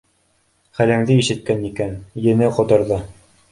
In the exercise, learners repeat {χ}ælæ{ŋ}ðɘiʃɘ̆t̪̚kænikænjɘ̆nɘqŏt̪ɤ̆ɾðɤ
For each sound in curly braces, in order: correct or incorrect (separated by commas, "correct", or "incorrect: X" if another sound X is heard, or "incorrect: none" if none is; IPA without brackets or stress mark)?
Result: correct, correct